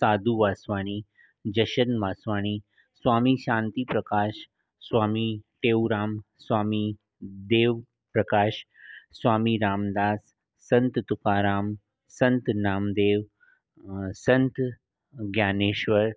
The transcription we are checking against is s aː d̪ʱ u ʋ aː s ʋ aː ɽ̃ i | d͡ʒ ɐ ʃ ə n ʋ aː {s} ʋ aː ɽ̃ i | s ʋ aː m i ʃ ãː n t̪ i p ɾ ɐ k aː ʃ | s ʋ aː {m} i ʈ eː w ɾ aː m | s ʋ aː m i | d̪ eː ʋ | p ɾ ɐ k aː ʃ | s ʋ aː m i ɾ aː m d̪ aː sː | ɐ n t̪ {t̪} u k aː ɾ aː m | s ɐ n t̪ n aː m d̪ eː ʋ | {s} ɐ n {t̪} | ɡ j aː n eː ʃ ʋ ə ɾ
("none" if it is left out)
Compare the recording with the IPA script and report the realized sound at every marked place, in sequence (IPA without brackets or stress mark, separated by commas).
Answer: s, m, t̪, s, t̪